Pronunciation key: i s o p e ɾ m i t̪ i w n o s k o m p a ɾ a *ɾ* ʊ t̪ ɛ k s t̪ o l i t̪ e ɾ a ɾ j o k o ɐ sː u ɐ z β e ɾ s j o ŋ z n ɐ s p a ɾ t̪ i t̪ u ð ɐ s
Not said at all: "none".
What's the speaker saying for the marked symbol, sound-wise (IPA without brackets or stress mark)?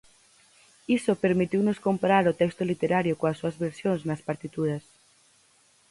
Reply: ɾ